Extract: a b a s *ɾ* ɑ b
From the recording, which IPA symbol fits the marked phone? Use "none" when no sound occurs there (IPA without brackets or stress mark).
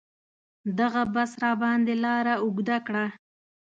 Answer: ɾ